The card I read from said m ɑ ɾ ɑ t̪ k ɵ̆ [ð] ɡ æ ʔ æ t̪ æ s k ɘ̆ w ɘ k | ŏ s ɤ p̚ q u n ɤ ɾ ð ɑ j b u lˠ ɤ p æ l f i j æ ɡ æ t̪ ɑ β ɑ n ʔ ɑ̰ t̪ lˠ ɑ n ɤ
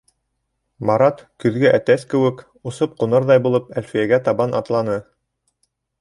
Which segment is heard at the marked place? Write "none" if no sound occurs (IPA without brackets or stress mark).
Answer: ð